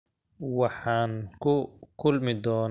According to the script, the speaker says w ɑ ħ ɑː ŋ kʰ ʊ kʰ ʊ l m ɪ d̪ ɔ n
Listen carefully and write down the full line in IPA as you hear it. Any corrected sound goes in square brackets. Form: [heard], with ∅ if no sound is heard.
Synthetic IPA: w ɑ ħ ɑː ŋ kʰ ʊ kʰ ʊ l m ɪ d̪ [ɔː] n